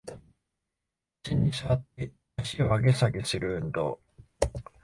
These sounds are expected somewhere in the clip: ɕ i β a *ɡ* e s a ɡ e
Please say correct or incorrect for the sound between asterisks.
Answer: correct